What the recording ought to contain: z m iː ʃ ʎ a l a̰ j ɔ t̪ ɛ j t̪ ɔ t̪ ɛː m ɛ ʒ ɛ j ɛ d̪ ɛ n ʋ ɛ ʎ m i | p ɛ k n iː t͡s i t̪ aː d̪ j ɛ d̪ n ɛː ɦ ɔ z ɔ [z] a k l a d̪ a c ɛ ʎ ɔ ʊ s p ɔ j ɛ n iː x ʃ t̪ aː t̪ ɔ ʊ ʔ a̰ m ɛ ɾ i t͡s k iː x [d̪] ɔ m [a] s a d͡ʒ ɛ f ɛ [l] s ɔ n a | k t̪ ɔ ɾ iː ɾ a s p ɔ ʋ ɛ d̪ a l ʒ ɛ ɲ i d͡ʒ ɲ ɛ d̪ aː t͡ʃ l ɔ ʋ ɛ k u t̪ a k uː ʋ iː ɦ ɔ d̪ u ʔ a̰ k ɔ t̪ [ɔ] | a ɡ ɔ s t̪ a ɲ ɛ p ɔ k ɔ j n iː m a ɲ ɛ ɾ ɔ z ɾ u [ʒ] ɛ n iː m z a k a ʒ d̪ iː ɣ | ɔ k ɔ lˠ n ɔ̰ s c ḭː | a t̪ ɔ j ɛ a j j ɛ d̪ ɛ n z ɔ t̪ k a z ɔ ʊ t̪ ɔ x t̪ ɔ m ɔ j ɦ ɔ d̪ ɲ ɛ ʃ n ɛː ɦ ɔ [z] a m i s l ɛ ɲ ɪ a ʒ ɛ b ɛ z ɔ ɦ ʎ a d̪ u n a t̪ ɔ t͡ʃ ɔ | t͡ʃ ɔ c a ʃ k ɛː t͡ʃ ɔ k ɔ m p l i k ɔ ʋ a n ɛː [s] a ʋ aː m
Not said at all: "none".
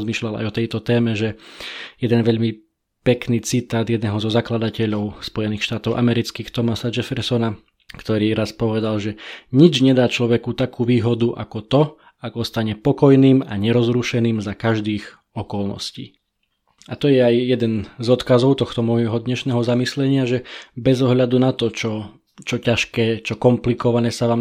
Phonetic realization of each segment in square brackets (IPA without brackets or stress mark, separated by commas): z, t̪, a, ɾ, ɔ, ʃ, z, s